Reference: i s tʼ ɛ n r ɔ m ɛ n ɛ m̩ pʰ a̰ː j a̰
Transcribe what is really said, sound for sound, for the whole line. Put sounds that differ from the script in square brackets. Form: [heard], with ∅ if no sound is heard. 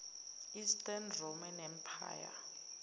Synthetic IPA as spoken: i s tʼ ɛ n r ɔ m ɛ n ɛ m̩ pʰ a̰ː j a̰